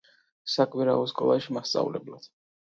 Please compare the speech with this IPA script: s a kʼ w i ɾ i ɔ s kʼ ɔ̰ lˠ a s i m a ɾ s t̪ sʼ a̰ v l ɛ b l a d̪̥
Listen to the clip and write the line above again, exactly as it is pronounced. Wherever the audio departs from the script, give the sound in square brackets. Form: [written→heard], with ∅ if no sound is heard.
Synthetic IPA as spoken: s a kʼ w i ɾ [i→a] ɔ s kʼ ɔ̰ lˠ a [s→ʃ] i m a [ɾ→∅] s t̪ sʼ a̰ v l ɛ b l a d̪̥

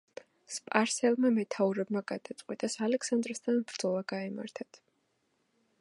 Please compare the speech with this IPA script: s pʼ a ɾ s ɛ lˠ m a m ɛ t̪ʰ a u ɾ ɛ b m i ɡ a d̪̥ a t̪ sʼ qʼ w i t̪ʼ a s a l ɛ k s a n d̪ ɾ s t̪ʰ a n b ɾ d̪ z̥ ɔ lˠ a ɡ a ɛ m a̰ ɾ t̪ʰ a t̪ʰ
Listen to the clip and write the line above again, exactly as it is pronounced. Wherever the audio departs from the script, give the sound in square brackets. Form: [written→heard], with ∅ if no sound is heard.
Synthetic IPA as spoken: s pʼ a ɾ s ɛ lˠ m a m ɛ t̪ʰ a u ɾ ɛ b m [i→a] ɡ a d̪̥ a t̪ sʼ qʼ w i t̪ʼ a s a l ɛ k s a n d̪ ɾ s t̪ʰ a n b ɾ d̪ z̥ ɔ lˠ a ɡ a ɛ m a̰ ɾ t̪ʰ a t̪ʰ

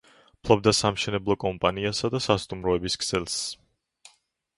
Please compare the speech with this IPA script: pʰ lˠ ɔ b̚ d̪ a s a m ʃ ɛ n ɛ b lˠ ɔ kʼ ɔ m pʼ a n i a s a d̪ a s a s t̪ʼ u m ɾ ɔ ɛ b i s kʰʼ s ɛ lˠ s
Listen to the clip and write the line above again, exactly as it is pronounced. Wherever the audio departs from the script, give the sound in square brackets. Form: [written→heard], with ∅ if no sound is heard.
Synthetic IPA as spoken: pʰ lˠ ɔ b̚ d̪ a s a m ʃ ɛ n ɛ b lˠ ɔ kʼ ɔ m pʼ a n i a s a d̪ a s a s t̪ʼ u m ɾ ɔ ɛ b i s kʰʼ s ɛ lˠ s

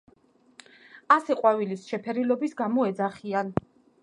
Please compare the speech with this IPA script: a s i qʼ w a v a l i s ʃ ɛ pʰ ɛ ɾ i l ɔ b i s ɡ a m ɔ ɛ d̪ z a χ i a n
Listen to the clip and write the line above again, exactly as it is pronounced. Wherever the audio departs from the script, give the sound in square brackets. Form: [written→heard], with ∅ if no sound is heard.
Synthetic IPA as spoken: a s [i→ɛ] qʼ w a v [a→i] l i s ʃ ɛ pʰ ɛ ɾ i l ɔ b i s ɡ a m ɔ ɛ d̪ z a χ i a n

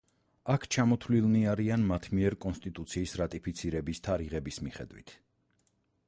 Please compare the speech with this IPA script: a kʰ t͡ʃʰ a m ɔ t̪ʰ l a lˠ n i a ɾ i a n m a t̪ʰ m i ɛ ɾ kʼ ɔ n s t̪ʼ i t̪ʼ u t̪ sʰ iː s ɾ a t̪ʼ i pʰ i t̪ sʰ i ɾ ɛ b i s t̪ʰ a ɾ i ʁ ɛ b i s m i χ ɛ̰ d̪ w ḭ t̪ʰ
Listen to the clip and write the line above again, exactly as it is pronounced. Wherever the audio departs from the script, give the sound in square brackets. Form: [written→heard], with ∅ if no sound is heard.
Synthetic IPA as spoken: a kʰ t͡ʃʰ a m ɔ t̪ʰ l [a→i] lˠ n i a ɾ i a n m a t̪ʰ m i ɛ ɾ kʼ ɔ n s t̪ʼ i t̪ʼ u t̪ sʰ iː s ɾ a t̪ʼ i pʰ i t̪ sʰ i ɾ ɛ b i s t̪ʰ a ɾ i ʁ ɛ b i s m i χ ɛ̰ d̪ w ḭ t̪ʰ

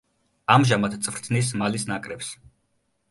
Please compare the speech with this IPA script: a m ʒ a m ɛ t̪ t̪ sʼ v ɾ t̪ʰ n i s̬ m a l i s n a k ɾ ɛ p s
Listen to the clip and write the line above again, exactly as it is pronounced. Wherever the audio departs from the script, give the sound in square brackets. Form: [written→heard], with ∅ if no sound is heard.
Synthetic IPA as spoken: a m ʒ a m [ɛ→a] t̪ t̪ sʼ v ɾ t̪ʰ n i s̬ m a l i s n a [k→kʼ] ɾ ɛ p s

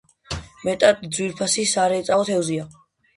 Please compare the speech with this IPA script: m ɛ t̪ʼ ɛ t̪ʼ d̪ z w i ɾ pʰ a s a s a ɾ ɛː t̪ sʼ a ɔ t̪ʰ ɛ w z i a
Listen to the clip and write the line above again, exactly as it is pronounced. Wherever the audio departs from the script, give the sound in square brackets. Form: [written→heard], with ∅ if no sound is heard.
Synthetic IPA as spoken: m ɛ t̪ʼ [ɛ→a] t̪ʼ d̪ z w i ɾ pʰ a s [a→i] s a ɾ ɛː t̪ sʼ a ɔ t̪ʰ ɛ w z i a

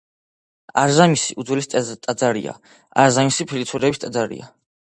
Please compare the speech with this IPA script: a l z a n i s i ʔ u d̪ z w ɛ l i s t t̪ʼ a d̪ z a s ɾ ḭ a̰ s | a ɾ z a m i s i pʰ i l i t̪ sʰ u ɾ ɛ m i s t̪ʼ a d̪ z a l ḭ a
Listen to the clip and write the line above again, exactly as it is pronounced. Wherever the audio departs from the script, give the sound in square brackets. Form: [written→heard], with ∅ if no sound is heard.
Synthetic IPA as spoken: a [l→ɾ] z a [n→m] i s i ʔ u d̪ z w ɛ l i s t t̪ʼ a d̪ z a [s→∅] ɾ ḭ a̰ [s→∅] | a ɾ z a m i s i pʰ i l i t̪ sʰ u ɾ ɛ [m→b] i s t̪ʼ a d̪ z a [l→ɾ] ḭ a

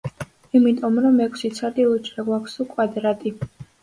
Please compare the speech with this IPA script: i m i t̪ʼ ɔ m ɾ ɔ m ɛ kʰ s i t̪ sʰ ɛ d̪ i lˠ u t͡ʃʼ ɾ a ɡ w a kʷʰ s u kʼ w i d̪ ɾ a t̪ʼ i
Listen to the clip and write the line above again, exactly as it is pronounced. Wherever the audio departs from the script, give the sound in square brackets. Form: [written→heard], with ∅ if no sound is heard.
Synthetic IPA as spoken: i m i t̪ʼ ɔ m ɾ ɔ m ɛ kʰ s i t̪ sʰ [ɛ→a] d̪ i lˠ u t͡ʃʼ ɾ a ɡ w a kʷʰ s u kʼ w [i→a] d̪ ɾ a t̪ʼ i

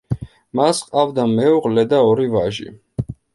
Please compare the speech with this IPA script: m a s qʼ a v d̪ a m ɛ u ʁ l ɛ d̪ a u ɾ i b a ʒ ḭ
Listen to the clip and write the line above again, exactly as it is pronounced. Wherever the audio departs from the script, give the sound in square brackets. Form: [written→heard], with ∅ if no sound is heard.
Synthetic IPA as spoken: m a s qʼ a v d̪ a m ɛ u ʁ l ɛ d̪ a [u→ɔ] ɾ i [b→v] a ʒ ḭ

